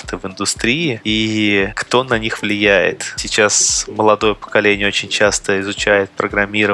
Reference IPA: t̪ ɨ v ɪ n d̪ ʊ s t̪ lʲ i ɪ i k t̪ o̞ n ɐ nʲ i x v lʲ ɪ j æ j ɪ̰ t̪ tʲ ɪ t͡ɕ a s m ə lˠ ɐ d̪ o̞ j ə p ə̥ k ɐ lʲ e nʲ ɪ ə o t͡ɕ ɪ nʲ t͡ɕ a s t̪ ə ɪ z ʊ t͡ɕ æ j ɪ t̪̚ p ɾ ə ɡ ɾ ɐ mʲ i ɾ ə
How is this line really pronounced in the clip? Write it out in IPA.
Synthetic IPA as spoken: t̪ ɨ v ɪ n d̪ ʊ s t̪ ɾʲ i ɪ i k t̪ o̞ n ɐ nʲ i x v lʲ ɪ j æ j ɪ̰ t̪ sʲ ɪ t͡ɕ a s m ə lˠ ɐ d̪ o̞ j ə p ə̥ k ɐ lʲ e nʲ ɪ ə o t͡ɕ ɪ nʲ t͡ɕ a s t̪ ə ɪ z ʊ t͡ɕ æ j ɪ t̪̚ p ɾ ə ɡ ɾ ɐ mʲ i ɾ ə